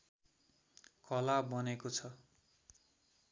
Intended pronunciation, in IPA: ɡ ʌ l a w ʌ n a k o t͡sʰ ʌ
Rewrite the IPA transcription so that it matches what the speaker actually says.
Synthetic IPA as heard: k ʌ l a b ʌ n e k o t͡sʰ ʌ